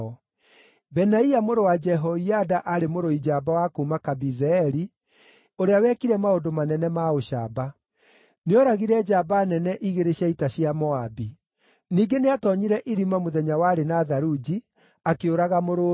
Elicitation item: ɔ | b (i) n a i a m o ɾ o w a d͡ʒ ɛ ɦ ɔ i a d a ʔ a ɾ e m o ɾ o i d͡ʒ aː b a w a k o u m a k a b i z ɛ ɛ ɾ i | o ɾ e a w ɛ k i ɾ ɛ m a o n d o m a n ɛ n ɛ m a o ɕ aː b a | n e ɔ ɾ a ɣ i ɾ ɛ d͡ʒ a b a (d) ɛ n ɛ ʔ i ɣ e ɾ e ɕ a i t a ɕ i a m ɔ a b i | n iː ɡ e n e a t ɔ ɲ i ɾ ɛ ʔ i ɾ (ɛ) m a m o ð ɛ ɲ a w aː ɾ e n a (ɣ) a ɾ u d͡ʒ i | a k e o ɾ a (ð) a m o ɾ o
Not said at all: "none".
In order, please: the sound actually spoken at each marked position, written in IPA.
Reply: ɛ, n, i, ð, ɣ

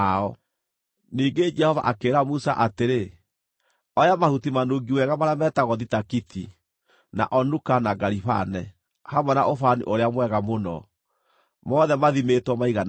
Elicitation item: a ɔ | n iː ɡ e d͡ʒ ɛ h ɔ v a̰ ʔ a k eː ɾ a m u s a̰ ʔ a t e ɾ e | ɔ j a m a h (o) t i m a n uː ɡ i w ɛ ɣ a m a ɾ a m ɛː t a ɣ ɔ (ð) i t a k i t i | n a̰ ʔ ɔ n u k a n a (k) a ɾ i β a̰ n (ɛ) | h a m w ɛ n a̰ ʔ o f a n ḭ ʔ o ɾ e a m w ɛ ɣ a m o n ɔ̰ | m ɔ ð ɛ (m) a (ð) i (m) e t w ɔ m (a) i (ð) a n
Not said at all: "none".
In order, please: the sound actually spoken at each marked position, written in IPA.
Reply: u, ð, ɡ, ɛ, m, ð, m, a, ɣ

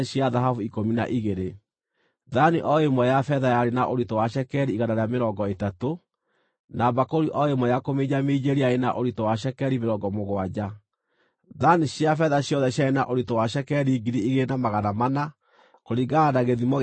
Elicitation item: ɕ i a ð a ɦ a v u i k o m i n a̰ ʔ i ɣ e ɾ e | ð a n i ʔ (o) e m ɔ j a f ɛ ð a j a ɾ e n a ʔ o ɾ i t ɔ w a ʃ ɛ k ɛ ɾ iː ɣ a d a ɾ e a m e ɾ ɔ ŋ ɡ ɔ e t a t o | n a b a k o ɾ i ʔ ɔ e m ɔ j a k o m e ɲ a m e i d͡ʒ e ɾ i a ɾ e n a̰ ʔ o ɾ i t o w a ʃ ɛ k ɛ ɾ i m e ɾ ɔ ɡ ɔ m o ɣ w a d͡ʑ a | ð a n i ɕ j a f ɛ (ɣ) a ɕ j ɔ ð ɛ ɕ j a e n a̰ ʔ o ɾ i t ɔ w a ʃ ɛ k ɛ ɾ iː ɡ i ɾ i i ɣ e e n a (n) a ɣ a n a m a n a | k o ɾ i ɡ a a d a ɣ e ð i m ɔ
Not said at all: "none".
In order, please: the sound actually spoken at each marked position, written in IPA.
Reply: ɔ, ð, m

